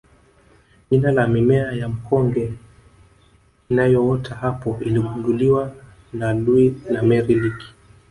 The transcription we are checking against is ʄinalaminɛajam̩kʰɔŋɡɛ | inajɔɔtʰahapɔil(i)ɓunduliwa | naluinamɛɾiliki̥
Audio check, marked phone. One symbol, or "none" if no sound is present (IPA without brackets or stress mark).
i